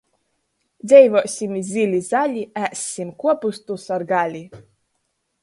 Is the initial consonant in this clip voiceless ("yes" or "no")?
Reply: no